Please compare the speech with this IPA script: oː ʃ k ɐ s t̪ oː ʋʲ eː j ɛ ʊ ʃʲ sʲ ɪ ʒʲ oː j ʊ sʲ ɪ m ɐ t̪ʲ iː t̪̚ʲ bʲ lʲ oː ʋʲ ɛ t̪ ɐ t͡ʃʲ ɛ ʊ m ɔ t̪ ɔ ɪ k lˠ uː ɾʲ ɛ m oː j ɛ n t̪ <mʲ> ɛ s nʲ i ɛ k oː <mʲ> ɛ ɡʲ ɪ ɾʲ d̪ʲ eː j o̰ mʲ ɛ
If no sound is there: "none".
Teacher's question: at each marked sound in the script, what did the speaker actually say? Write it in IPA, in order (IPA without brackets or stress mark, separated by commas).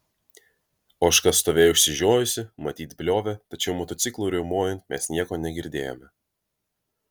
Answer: mʲ, nʲ